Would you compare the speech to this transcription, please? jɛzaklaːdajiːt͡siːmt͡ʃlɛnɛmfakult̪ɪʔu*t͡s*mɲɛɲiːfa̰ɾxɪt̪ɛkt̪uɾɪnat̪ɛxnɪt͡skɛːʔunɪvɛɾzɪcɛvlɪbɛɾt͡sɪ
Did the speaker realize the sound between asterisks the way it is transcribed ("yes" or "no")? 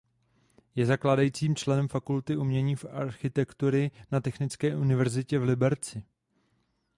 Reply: no